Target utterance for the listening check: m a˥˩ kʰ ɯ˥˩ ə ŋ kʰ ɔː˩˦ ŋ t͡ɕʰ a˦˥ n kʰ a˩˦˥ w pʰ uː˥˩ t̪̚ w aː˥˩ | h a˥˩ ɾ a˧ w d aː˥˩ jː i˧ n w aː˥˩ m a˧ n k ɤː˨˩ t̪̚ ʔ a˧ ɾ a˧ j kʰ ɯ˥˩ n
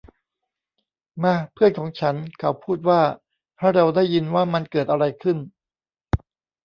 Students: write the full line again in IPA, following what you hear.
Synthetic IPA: m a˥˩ pʰ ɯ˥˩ ə n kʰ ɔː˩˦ ŋ t͡ɕʰ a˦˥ n kʰ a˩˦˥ w pʰ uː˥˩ t̪̚ w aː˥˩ | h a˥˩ ɾ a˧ w d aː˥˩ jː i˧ n w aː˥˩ m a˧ n k ɤː˨˩ t̪̚ ʔ a˧ ɾ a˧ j kʰ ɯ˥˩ n